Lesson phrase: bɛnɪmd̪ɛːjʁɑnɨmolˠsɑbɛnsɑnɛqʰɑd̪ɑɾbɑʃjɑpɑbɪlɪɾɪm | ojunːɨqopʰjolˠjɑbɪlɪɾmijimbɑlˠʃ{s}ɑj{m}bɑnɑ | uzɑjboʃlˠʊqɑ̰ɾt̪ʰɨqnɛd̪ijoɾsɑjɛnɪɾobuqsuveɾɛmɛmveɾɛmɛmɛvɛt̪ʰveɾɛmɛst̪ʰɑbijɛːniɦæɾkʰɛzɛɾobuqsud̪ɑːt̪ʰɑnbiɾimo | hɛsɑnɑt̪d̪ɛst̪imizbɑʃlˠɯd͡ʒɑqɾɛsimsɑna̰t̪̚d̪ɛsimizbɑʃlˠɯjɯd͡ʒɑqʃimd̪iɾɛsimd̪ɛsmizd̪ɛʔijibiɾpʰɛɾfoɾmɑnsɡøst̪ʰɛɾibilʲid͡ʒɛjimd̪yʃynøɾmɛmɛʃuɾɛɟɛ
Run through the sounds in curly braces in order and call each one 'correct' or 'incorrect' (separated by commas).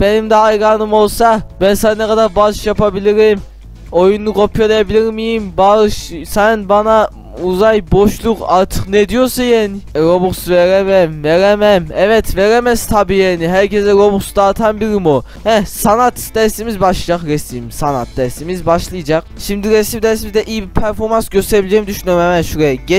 correct, incorrect